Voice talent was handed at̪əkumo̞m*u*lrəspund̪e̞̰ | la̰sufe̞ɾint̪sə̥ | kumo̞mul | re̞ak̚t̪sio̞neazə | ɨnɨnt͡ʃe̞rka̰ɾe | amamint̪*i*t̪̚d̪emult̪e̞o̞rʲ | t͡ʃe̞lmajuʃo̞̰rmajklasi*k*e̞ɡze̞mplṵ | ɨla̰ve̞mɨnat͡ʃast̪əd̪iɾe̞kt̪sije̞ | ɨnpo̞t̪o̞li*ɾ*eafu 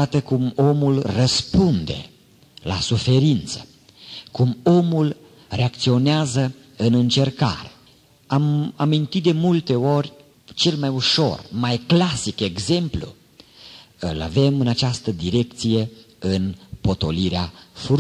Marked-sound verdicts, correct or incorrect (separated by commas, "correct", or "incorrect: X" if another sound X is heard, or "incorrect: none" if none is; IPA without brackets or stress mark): correct, correct, correct, correct